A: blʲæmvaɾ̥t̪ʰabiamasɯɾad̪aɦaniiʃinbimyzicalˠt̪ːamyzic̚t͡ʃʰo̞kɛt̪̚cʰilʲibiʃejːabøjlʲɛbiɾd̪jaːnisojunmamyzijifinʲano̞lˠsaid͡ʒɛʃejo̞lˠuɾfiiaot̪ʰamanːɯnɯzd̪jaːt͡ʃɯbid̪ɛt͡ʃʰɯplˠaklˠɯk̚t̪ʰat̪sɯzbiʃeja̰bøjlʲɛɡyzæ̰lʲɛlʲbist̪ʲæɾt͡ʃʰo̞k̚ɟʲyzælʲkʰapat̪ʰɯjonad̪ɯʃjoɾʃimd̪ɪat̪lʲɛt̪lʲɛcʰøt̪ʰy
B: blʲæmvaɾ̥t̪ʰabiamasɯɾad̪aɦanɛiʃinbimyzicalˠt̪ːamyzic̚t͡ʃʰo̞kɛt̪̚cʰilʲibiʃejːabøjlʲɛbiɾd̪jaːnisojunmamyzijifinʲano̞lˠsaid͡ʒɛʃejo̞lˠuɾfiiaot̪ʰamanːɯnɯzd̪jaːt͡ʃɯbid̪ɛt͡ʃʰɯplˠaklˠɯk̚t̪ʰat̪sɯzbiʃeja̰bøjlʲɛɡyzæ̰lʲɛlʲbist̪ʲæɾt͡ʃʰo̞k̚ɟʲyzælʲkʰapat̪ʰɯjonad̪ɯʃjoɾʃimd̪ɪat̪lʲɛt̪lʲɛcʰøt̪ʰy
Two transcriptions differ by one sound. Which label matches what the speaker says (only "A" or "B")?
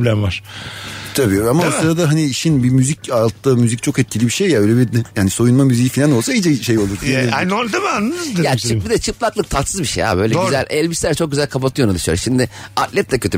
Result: A